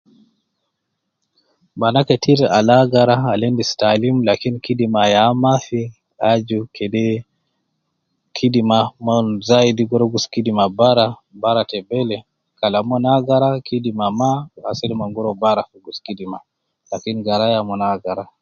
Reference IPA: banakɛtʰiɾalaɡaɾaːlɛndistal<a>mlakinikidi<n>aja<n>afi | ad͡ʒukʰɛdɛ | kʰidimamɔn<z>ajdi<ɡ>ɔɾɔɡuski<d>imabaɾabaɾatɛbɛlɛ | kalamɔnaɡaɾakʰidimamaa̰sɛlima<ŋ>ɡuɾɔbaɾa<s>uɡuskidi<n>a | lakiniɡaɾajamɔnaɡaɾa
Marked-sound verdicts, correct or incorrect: incorrect, incorrect, incorrect, correct, correct, correct, correct, incorrect, incorrect

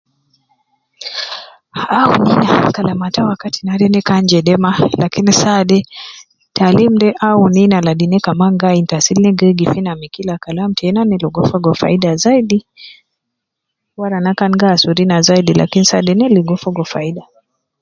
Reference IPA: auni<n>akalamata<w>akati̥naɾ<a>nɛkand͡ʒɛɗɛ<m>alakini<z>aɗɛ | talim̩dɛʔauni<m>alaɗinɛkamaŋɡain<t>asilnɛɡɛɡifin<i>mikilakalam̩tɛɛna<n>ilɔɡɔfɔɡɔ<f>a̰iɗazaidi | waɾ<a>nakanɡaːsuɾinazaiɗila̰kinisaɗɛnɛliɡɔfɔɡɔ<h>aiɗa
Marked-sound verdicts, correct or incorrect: correct, correct, incorrect, correct, incorrect, incorrect, correct, incorrect, correct, correct, correct, incorrect

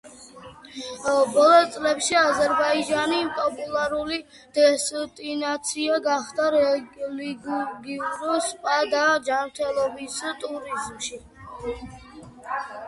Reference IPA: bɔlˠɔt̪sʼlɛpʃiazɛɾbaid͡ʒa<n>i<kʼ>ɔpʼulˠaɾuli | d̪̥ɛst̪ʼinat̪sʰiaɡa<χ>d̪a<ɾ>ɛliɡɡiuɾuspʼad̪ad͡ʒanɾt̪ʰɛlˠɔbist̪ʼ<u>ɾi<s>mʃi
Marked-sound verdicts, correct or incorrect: correct, incorrect, correct, correct, correct, incorrect

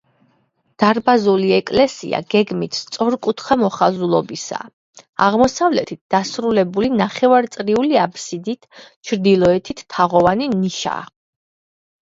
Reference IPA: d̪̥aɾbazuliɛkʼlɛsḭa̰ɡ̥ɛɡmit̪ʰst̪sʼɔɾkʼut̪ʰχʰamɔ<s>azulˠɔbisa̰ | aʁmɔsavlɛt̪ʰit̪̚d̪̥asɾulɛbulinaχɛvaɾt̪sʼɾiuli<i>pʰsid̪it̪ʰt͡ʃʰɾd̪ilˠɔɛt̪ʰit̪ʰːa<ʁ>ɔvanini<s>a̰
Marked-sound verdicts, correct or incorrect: incorrect, incorrect, correct, incorrect

